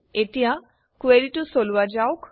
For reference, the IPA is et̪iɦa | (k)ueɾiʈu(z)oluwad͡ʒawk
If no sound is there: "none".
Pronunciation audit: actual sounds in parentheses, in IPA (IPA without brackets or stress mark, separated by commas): k, s